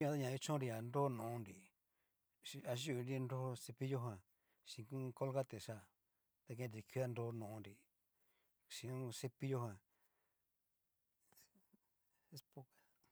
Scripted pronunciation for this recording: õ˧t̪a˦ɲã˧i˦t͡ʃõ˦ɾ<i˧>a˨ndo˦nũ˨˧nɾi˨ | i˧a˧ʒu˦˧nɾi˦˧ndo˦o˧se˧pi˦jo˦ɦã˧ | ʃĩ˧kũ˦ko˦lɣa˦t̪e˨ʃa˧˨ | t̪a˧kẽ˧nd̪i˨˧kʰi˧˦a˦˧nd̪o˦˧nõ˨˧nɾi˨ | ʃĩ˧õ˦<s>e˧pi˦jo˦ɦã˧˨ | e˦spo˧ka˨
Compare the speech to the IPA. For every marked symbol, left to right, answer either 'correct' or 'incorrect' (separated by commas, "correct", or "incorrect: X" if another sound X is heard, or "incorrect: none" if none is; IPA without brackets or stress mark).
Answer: correct, correct